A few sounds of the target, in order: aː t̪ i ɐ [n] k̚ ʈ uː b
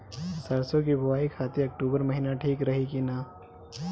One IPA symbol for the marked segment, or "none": none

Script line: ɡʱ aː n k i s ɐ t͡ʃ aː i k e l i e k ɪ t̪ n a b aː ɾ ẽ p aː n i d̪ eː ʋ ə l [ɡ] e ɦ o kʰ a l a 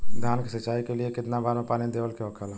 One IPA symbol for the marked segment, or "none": k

